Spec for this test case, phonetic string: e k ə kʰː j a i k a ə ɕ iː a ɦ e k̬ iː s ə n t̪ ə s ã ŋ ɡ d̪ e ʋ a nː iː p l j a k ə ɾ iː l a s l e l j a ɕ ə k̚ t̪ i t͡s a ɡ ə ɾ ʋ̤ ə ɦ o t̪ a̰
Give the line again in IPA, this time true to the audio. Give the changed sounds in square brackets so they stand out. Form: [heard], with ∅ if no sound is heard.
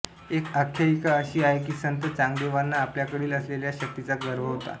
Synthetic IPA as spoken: e k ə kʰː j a i k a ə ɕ iː a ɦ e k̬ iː s ə n t̪ ə [t͡s] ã ŋ ɡ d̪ e ʋ a nː [aː] p l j a k ə [ɽ] iː l [ə] s l e l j a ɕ ə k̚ t̪ i t͡s a ɡ ə ɾ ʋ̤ ə ɦ o t̪ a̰